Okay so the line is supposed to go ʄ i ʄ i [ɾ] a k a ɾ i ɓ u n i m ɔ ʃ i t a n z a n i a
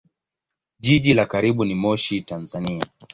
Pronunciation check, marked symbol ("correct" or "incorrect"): incorrect